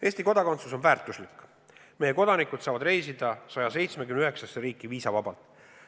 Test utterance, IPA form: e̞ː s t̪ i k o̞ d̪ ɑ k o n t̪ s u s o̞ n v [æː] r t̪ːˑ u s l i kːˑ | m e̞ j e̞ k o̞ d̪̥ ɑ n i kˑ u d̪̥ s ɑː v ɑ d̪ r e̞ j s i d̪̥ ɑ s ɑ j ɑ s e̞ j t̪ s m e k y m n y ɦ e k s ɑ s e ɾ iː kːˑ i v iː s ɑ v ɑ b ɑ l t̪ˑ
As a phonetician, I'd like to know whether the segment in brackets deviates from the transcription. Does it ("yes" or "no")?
no